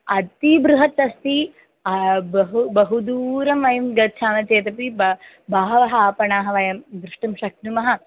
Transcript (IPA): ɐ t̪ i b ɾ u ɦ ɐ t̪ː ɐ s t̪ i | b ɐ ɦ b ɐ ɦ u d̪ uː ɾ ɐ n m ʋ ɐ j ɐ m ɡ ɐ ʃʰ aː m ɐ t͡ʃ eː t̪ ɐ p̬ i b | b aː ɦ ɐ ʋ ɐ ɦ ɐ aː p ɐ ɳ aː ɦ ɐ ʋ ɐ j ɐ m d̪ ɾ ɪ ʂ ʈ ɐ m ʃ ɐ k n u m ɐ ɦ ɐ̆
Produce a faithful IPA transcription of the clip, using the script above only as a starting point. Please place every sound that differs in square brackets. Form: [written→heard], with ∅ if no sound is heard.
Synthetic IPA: ɐ t̪ i b ɾ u ɦ ɐ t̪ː ɐ s t̪ i | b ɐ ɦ b ɐ ɦ u d̪ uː ɾ ɐ [n→∅] m ʋ ɐ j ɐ m ɡ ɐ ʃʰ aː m ɐ t͡ʃ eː t̪ ɐ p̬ i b | b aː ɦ ɐ ʋ ɐ ɦ ɐ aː p ɐ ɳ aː ɦ ɐ ʋ ɐ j ɐ m d̪ ɾ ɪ ʂ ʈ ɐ m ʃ ɐ k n u m ɐ ɦ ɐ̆